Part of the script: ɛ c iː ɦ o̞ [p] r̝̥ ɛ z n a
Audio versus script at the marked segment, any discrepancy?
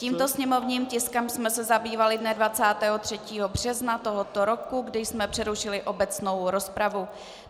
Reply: yes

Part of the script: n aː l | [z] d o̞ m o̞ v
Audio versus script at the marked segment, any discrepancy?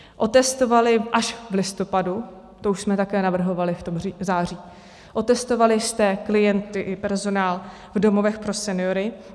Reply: yes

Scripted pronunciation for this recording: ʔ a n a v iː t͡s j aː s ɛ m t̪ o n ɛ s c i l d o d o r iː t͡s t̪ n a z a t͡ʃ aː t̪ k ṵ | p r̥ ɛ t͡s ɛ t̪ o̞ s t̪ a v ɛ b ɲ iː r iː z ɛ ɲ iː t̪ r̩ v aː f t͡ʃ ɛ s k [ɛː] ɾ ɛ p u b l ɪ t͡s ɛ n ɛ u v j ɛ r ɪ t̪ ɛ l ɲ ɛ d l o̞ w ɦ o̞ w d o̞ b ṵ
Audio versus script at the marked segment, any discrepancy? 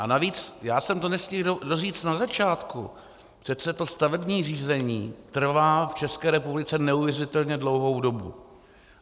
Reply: no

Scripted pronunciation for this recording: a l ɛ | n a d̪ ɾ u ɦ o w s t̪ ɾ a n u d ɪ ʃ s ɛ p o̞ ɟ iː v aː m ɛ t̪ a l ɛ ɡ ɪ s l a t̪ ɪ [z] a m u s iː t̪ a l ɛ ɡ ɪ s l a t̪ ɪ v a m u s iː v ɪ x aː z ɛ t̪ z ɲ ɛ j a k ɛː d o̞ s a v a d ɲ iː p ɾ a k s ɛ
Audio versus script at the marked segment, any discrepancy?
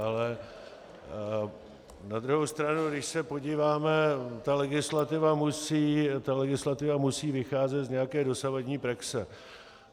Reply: yes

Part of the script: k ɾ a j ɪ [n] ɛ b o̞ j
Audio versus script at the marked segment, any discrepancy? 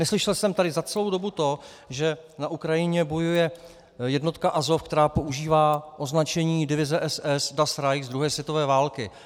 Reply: yes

